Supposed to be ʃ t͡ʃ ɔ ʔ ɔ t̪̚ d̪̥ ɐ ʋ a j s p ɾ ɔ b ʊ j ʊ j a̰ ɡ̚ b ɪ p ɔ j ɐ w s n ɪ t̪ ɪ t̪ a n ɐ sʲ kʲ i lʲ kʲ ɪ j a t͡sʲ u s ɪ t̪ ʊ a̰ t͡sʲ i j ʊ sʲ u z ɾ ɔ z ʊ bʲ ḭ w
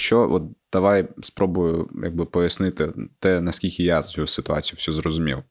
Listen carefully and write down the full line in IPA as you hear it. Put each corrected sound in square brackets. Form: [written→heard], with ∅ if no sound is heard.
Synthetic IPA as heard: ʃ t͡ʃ ɔ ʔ ɔ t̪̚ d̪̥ ɐ ʋ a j s p ɾ ɔ b ʊ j ʊ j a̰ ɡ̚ b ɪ p ɔ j ɐ [w→∅] s n ɪ t̪ ɪ t̪ [a→ɛ] n ɐ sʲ kʲ i lʲ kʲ ɪ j a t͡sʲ u s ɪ t̪ ʊ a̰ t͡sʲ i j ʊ sʲ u z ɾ ɔ z ʊ [bʲ→mʲ] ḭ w